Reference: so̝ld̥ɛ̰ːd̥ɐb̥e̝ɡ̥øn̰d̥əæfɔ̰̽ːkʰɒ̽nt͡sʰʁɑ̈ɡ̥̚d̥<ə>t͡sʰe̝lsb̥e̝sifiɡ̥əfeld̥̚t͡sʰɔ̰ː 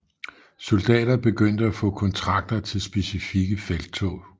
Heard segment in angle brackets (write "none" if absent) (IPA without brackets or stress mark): ɐ